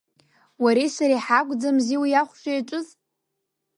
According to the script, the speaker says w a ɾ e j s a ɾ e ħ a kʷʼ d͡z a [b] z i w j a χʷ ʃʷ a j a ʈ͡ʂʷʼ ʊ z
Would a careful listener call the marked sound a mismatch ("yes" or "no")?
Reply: yes